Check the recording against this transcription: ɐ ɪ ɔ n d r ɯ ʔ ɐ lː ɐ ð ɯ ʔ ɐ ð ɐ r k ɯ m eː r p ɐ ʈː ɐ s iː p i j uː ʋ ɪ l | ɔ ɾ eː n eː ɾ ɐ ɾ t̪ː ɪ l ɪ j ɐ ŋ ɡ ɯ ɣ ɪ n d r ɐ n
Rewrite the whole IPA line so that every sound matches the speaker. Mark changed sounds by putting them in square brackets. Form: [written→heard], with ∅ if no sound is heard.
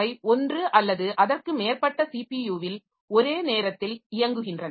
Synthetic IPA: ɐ ɪ ɔ n d r ɯ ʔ ɐ lː ɐ ð ɯ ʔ ɐ ð ɐ r k ɯ m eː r p ɐ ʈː ɐ s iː p i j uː ʋ ɪ l | ɔ ɾ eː n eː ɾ ɐ [ɾ→∅] t̪ː ɪ l ɪ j ɐ ŋ ɡ ɯ ɣ ɪ n d r ɐ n

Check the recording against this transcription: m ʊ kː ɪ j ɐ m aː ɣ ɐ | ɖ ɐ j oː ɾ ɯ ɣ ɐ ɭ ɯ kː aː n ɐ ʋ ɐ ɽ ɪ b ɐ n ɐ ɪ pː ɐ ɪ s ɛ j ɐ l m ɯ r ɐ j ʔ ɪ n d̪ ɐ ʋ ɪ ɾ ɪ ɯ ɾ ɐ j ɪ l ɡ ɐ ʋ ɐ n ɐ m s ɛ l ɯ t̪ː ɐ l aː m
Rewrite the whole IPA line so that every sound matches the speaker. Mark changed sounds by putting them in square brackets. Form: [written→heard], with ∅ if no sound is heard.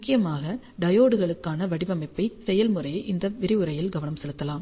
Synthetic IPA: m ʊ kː ɪ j ɐ m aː ɣ ɐ | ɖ ɐ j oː [ɾ→ɽ] ɯ ɣ ɐ ɭ ɯ kː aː n ɐ ʋ ɐ ɽ ɪ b ɐ [n→m] ɐ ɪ pː ɐ ɪ s ɛ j ɐ l m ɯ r ɐ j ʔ ɪ n d̪ ɐ ʋ ɪ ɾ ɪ ɯ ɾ ɐ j ɪ l ɡ ɐ ʋ ɐ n ɐ m s ɛ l ɯ t̪ː ɐ l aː m

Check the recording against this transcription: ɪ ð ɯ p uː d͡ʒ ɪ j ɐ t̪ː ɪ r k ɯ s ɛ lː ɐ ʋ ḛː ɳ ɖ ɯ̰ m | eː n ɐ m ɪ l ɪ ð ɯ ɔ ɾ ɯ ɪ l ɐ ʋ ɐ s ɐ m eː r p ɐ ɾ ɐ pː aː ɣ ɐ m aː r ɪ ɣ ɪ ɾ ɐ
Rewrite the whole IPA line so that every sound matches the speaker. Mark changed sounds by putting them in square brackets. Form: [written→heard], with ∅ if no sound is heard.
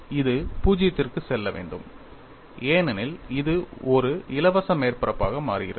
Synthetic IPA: ɪ ð ɯ p uː d͡ʒ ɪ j ɐ t̪ː ɪ r k ɯ s ɛ lː ɐ ʋ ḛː ɳ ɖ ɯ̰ m | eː n ɐ [m→n] ɪ l ɪ ð ɯ ɔ ɾ ɯ ɪ l ɐ ʋ ɐ s ɐ m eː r p ɐ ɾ ɐ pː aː ɣ ɐ m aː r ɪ ɣ ɪ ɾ ɐ

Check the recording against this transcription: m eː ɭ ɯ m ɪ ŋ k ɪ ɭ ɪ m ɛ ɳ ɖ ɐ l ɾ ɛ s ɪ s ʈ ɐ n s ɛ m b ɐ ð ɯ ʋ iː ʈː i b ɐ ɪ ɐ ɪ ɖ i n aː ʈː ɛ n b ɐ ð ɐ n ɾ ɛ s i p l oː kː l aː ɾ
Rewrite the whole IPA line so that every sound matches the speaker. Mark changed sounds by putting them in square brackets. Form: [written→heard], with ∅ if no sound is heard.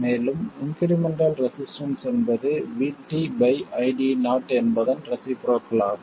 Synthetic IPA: m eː [ɭ→l] ɯ m ɪ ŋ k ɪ [ɭ→ɾ] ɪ m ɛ ɳ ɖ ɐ l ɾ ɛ s ɪ s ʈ ɐ n s ɛ [m→n] b ɐ ð ɯ ʋ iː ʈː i b ɐ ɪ ɐ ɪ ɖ i n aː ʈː ɛ n b ɐ ð ɐ n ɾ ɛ s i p [l→ɾ] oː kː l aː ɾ

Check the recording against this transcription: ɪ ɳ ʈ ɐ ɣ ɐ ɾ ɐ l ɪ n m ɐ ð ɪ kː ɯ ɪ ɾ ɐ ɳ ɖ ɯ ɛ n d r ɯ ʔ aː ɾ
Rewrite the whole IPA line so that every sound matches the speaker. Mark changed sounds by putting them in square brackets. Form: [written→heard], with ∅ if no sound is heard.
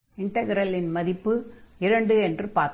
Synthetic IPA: ɪ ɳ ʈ ɐ ɣ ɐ ɾ ɐ l ɪ n m ɐ ð ɪ [kː→pː] ɯ ɪ ɾ ɐ ɳ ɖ ɯ ɛ n d r ɯ [ʔ→p] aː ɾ

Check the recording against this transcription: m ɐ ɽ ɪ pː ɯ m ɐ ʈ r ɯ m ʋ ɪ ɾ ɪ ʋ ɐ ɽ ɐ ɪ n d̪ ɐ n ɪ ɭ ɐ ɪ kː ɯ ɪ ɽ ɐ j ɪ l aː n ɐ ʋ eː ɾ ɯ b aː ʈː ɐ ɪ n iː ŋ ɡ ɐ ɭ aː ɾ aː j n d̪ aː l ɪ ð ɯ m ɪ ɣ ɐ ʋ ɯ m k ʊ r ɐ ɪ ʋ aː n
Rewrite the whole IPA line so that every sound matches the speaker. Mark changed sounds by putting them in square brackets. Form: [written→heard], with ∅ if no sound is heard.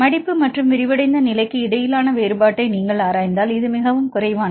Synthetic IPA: m ɐ ɽ ɪ pː ɯ m ɐ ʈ r ɯ m ʋ ɪ ɾ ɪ ʋ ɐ ɽ ɐ ɪ n d̪ ɐ n ɪ [ɭ→l] ɐ ɪ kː ɯ ɪ ɽ ɐ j ɪ l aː n ɐ ʋ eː ɾ ɯ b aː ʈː ɐ ɪ n iː ŋ ɡ ɐ ɭ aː ɾ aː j n d̪ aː l ɪ ð ɯ m ɪ ɣ ɐ ʋ ɯ m k ʊ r ɐ ɪ ʋ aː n

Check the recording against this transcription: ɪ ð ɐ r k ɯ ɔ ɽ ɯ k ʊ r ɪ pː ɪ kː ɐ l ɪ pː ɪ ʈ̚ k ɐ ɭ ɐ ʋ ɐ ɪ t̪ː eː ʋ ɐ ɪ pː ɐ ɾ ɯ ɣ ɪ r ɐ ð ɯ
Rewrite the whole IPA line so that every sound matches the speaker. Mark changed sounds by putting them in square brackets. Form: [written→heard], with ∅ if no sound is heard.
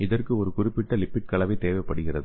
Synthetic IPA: ɪ ð ɐ r k ɯ ɔ [ɽ→ɾ] ɯ k ʊ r ɪ pː ɪ [kː→ʈː] ɐ l ɪ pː ɪ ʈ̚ k ɐ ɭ ɐ ʋ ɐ ɪ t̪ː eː ʋ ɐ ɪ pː ɐ [ɾ→ɽ] ɯ ɣ ɪ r ɐ ð ɯ

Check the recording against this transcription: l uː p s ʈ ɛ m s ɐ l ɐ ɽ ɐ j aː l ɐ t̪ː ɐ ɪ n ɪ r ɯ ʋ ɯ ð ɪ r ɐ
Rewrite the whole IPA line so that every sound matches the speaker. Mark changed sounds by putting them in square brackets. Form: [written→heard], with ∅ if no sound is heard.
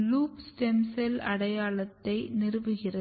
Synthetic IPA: l uː p s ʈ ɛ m s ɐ l ɐ ɽ ɐ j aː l ɐ t̪ː ɐ ɪ n ɪ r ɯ ʋ ɯ [ð→ɣ] ɪ r ɐ

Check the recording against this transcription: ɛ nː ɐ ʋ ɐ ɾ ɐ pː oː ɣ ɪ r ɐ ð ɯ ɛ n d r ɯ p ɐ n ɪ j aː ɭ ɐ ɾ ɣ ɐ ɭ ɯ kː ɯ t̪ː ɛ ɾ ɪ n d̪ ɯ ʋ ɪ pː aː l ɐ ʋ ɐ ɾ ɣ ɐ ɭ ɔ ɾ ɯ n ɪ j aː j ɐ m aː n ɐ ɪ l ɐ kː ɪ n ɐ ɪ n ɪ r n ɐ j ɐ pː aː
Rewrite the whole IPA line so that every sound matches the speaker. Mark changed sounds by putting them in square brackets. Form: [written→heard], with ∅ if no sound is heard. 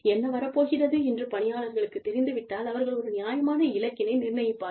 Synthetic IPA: ɛ nː ɐ ʋ ɐ ɾ ɐ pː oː ɣ ɪ r ɐ ð ɯ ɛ n d r ɯ p ɐ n ɪ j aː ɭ ɐ ɾ ɣ ɐ ɭ ɯ kː ɯ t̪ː ɛ ɾ ɪ n d̪ ɯ ʋ ɪ [pː→ʈː] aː l ɐ ʋ ɐ ɾ ɣ ɐ ɭ ɔ ɾ ɯ n ɪ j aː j ɐ m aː n ɐ ɪ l ɐ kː ɪ n ɐ ɪ n ɪ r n ɐ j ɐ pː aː

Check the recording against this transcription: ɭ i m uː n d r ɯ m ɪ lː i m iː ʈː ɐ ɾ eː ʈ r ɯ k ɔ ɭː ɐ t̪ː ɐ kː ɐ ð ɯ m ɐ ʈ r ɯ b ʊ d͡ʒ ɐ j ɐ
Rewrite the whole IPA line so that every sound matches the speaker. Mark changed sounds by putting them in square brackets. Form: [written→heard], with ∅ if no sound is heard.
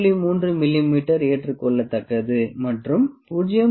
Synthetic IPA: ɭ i m uː n d r ɯ m ɪ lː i m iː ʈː ɐ ɾ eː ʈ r ɯ k ɔ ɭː ɐ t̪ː ɐ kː ɐ ð ɯ m ɐ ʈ r ɯ [b→m] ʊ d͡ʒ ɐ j ɐ

